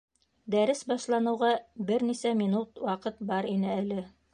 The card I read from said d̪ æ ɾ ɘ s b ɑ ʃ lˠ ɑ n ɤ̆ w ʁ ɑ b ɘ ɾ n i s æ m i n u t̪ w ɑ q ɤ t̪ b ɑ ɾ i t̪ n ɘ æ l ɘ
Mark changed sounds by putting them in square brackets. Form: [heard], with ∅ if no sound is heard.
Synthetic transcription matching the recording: d̪ æ ɾ ɘ s b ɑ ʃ lˠ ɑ n ɤ̆ w ʁ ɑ b ɘ ɾ n i s æ m i n u t̪ w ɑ q ɤ t̪ b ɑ ɾ i [∅] n ɘ æ l ɘ